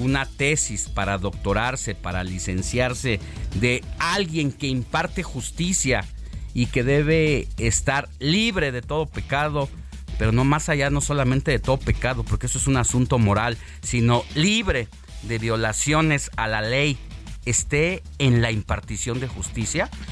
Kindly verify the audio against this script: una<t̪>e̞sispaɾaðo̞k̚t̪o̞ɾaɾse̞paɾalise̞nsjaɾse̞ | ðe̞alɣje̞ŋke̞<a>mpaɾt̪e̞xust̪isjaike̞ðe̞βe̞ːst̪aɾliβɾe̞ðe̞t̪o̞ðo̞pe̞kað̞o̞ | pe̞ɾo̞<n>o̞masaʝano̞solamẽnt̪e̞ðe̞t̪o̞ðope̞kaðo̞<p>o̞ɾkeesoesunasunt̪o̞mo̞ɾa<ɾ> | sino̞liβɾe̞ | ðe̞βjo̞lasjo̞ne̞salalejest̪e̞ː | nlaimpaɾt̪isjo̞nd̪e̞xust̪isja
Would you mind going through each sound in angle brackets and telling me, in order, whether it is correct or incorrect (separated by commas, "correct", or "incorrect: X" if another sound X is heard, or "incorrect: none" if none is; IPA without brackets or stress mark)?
correct, incorrect: i, correct, correct, incorrect: l